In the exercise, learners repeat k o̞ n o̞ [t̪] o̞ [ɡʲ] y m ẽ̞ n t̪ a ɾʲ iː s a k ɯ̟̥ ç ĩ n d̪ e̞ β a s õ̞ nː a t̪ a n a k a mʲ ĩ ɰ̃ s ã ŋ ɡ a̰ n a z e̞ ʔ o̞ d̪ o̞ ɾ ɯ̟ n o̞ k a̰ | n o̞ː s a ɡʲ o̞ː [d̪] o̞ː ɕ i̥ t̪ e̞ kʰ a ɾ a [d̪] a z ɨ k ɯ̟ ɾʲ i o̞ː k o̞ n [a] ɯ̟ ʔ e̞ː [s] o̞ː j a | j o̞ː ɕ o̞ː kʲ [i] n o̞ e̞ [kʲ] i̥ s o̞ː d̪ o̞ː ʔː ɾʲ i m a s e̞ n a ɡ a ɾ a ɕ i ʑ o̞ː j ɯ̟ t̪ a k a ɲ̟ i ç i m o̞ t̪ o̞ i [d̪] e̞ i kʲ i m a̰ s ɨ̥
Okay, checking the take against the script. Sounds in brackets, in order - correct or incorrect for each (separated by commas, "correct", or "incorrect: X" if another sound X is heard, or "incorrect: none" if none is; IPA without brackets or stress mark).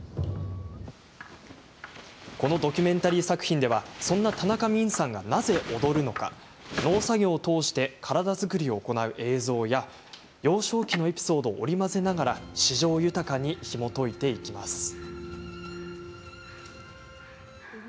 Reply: incorrect: d̪, incorrect: kʲ, incorrect: t̪, correct, correct, incorrect: z, correct, incorrect: pʲ, incorrect: t̪